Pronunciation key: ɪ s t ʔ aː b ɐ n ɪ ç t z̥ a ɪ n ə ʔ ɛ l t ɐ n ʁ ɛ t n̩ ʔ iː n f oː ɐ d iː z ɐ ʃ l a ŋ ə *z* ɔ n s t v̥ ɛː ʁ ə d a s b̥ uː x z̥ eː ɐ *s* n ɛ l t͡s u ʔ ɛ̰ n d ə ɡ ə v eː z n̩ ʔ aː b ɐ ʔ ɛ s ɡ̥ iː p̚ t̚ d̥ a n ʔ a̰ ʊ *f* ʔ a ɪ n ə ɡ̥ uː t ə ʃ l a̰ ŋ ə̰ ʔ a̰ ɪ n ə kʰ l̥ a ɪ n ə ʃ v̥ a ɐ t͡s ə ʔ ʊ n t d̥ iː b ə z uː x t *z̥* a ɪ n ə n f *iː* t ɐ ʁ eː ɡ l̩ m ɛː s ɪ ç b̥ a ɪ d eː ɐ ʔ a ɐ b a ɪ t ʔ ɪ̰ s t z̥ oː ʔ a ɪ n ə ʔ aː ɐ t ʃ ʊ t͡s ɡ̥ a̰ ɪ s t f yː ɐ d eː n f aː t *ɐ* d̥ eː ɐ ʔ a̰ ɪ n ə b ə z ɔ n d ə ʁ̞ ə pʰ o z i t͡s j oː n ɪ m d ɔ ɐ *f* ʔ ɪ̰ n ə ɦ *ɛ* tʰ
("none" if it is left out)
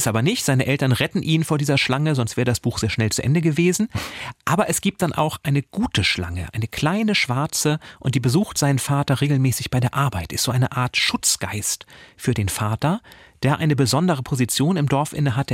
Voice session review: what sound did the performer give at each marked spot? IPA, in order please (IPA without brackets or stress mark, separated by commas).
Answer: z, ʃ, x, z̥, aː, ɐ, f, a